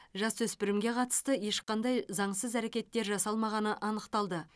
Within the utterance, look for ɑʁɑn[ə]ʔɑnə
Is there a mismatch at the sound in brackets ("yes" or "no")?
no